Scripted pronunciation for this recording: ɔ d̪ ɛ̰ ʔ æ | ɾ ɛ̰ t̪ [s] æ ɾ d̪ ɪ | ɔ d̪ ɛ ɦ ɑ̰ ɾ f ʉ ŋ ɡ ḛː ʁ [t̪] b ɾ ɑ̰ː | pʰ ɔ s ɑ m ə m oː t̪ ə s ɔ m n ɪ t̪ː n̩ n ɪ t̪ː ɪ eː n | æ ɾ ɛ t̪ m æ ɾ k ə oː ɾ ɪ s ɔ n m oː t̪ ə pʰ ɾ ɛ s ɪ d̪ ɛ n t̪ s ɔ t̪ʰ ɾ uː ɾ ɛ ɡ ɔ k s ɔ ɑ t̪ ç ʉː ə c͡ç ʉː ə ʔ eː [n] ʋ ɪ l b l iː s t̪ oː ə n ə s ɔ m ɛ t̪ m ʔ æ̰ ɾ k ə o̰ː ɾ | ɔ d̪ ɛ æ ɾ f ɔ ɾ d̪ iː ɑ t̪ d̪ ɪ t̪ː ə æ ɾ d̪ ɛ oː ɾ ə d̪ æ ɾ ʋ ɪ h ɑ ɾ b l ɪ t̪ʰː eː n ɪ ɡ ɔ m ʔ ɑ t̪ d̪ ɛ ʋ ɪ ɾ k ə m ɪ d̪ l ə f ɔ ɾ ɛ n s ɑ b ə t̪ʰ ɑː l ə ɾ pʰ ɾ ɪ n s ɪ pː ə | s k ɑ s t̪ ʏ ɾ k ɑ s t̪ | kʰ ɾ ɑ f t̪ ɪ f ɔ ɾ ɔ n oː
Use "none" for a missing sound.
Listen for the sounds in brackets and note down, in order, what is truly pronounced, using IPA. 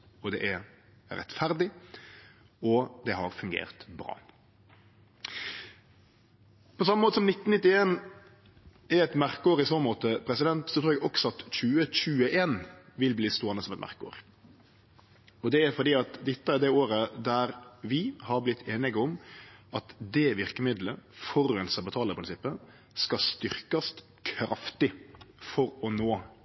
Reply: f, t̪, n

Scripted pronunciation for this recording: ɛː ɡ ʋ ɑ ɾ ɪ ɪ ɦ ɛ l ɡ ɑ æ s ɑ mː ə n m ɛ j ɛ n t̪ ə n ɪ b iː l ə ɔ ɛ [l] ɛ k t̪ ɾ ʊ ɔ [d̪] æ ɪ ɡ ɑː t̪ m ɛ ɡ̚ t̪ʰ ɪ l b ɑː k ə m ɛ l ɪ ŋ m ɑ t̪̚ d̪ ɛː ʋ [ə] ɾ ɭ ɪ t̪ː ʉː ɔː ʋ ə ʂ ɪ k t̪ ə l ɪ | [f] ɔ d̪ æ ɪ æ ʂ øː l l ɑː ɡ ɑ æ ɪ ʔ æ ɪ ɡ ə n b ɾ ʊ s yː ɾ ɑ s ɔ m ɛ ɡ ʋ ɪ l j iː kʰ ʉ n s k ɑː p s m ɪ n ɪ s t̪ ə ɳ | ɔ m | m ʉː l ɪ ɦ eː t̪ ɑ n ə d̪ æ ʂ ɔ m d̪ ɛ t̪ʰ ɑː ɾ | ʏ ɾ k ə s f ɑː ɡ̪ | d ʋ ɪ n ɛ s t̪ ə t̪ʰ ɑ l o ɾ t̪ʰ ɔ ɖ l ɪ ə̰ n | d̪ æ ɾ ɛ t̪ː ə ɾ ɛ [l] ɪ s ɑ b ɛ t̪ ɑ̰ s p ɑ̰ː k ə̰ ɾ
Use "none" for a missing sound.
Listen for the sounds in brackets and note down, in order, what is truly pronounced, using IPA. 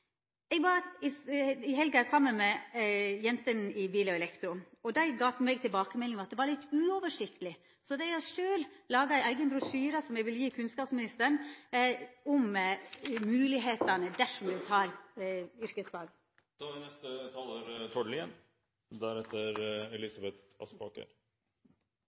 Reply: l, d̪, ɑ, s, l

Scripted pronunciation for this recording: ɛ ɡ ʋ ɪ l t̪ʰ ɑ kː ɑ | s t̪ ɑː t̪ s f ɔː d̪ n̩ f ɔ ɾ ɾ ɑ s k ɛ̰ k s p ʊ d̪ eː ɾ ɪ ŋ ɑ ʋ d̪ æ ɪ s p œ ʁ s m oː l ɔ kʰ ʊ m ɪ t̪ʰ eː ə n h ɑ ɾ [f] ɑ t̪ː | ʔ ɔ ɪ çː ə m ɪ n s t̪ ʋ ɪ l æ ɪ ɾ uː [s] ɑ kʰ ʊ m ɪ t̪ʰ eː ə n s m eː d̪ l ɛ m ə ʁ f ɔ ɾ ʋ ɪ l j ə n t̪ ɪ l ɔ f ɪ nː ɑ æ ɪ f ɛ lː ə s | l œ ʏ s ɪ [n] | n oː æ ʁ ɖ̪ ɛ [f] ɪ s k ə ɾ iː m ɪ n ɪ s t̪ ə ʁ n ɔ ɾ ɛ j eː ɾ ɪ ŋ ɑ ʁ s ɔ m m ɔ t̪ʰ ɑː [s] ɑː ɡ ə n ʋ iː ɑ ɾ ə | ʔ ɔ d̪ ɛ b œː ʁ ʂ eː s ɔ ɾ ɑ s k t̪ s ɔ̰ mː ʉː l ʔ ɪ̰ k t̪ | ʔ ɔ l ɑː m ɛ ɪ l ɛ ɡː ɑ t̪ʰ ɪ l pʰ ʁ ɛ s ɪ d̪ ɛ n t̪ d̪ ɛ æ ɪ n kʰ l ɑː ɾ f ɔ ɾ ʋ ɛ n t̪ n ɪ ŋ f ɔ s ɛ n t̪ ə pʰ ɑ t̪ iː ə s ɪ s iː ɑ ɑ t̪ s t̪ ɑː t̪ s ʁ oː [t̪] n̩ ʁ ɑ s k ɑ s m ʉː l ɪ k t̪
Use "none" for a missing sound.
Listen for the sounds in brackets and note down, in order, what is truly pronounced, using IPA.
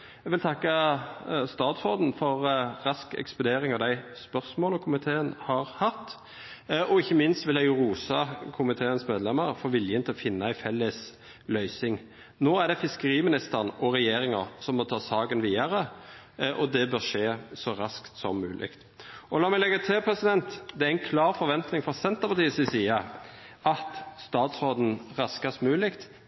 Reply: h, s, ŋ, f, s, d̪

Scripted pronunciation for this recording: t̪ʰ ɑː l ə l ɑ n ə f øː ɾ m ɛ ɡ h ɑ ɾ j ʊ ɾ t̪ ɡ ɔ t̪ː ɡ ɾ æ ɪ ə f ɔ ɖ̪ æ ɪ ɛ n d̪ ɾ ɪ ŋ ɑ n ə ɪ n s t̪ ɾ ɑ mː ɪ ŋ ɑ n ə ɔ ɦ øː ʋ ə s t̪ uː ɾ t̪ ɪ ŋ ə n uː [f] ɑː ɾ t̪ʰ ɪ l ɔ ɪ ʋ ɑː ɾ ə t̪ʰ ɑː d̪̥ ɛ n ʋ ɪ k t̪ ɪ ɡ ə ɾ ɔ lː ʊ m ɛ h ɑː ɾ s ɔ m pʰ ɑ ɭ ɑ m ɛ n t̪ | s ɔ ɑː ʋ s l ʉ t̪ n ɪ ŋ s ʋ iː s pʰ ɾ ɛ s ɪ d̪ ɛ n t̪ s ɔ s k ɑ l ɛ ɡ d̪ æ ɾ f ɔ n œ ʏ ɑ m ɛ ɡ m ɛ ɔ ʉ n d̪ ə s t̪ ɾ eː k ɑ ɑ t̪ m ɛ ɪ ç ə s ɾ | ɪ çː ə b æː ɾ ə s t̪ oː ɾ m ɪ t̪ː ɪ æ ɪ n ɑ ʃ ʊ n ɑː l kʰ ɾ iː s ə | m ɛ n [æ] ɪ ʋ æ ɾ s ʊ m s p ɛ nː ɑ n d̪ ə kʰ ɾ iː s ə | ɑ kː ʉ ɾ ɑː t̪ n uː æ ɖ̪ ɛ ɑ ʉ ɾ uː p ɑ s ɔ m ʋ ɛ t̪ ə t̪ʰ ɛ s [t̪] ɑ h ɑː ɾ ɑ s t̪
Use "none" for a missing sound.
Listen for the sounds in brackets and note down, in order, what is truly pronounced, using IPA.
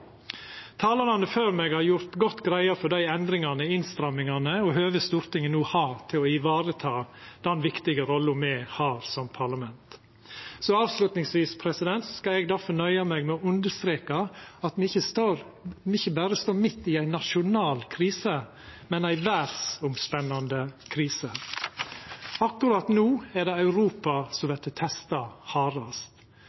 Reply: h, æ, t̪

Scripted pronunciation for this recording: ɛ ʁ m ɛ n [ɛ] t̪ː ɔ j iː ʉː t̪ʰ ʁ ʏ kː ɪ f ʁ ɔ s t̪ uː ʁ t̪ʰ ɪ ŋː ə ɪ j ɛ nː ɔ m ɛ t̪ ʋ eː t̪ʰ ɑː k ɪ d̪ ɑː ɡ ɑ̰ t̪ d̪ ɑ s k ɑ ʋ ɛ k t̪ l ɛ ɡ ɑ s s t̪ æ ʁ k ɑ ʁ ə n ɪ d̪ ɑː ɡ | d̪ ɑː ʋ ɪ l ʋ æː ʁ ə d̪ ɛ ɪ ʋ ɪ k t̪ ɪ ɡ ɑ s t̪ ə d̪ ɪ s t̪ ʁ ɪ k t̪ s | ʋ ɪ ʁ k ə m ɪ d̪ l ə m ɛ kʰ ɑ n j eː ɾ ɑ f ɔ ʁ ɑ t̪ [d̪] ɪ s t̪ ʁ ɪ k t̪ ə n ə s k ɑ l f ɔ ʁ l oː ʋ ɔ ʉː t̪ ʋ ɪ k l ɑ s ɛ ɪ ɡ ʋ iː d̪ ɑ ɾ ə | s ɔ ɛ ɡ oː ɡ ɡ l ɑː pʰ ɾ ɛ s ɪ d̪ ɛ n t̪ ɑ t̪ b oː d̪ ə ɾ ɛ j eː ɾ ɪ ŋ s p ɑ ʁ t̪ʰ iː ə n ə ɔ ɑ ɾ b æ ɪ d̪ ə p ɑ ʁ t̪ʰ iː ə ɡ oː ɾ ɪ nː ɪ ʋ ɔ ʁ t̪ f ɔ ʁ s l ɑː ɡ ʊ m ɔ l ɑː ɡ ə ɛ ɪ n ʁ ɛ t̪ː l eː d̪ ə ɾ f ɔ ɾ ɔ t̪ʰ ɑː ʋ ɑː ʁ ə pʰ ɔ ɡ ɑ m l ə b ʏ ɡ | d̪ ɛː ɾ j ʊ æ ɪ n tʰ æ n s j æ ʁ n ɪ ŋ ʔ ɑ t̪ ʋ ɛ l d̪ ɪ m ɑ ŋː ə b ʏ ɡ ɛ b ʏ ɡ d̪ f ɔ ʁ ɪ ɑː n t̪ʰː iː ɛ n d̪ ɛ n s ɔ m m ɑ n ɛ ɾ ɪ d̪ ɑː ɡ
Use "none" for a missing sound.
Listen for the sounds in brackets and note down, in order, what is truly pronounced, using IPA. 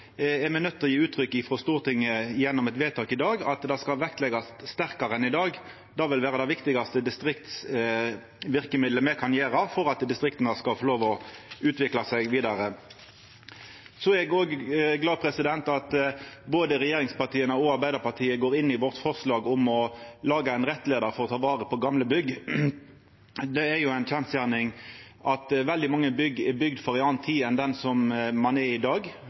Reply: œ, d̪

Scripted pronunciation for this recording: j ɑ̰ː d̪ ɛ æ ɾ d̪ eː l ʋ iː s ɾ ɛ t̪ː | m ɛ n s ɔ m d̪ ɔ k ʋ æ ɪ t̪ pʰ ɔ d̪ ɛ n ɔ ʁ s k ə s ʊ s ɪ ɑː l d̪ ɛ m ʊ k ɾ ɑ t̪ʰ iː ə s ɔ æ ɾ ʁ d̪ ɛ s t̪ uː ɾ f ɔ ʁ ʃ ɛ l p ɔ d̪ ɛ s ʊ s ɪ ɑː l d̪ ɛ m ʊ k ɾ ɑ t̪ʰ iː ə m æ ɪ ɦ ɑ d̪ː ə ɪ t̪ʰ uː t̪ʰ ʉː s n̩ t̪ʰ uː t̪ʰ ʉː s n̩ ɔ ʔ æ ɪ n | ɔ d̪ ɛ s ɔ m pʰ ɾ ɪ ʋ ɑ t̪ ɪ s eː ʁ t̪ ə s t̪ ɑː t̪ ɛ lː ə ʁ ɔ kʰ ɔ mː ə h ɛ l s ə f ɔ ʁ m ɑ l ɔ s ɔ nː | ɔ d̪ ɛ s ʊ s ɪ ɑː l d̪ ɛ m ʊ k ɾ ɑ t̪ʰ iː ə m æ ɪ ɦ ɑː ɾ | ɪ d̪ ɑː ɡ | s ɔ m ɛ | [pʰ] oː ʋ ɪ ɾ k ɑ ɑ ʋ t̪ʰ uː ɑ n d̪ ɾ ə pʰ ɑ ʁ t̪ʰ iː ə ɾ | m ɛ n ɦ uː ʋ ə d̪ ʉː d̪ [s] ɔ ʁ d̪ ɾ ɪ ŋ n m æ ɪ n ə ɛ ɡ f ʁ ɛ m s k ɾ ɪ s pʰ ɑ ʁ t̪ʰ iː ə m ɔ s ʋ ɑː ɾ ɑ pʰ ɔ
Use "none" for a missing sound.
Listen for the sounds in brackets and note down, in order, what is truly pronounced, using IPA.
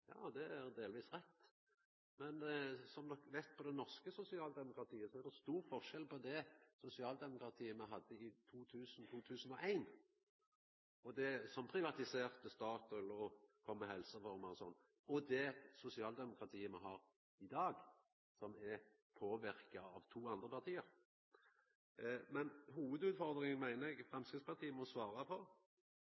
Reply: pʰ, f

